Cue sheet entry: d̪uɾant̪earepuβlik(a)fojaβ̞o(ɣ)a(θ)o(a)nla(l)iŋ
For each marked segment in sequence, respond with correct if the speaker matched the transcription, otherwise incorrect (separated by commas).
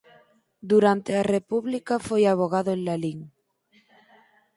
correct, correct, incorrect, incorrect, correct